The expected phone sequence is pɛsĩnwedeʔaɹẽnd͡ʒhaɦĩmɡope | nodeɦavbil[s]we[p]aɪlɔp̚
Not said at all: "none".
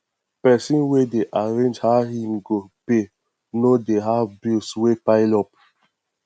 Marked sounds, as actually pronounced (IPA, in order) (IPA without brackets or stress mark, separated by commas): s, p